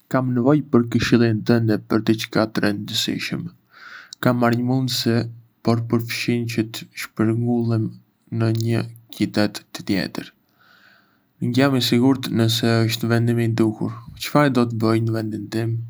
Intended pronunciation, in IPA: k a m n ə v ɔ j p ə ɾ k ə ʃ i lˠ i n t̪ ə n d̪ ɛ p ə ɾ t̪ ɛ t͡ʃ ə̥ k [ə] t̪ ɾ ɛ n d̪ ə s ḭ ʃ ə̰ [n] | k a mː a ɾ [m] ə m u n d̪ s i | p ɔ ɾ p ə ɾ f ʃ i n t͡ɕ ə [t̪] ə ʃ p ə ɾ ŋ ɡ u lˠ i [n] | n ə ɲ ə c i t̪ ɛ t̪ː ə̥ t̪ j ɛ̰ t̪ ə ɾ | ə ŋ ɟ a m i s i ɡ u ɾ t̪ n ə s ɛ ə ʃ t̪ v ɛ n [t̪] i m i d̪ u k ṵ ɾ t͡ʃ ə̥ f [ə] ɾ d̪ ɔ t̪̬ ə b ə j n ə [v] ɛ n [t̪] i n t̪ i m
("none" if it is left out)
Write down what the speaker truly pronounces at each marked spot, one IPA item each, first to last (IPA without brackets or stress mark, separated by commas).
a, m, ɲ, t̪, m, d̪, a, v, d̪